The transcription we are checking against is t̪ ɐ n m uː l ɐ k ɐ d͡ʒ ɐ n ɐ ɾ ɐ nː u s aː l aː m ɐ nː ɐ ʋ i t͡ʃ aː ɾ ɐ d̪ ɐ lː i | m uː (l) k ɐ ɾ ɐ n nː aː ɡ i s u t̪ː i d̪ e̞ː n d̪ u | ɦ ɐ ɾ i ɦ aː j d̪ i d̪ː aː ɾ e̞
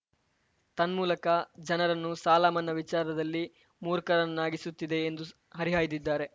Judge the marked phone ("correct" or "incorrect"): incorrect